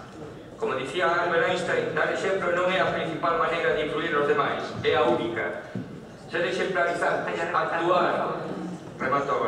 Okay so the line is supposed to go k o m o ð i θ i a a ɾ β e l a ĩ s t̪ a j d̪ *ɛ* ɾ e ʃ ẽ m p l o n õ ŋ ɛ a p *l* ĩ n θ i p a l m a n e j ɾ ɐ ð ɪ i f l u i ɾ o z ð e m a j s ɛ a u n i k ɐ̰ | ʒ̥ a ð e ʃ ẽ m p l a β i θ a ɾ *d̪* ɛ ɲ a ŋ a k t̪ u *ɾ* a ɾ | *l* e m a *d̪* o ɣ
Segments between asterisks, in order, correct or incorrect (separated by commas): incorrect, incorrect, incorrect, incorrect, incorrect, incorrect